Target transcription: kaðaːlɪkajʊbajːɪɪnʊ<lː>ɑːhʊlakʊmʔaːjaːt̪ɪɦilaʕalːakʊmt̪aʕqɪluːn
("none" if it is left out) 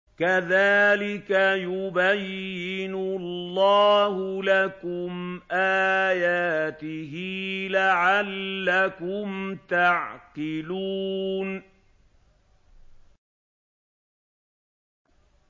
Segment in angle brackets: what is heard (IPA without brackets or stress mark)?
lː